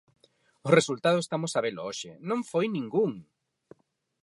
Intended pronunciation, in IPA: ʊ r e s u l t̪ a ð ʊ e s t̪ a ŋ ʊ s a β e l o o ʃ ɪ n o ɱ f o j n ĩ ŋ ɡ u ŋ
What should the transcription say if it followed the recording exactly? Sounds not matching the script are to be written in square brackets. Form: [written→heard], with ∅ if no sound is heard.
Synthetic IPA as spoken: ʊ r e s u l t̪ a ð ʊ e s t̪ a [ŋ→m] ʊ s a β e l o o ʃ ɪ n [o→õ] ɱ f o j n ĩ ŋ ɡ u ŋ